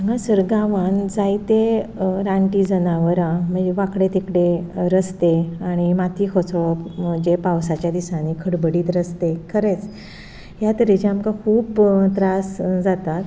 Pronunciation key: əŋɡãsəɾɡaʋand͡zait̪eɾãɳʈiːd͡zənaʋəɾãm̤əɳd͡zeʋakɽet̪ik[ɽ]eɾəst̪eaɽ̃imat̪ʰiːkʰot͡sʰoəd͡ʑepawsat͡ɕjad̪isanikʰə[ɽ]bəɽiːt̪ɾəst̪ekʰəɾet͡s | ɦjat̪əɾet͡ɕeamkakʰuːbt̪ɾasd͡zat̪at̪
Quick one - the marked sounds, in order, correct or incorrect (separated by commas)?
correct, correct